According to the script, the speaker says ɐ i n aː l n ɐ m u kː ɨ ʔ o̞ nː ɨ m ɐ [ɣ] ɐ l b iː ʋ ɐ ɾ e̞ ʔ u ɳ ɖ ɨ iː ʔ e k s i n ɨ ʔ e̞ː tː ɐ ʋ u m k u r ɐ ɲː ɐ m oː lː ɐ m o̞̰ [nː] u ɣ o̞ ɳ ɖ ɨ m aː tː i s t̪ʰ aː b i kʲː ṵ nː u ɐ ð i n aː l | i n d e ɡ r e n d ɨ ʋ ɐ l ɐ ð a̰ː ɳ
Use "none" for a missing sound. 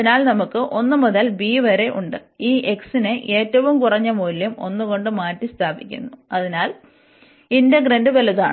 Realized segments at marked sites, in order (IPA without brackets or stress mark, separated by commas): ð, nː